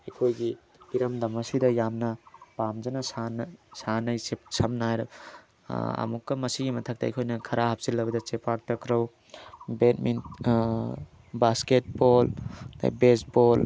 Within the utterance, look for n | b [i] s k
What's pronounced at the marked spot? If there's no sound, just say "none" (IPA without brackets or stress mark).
a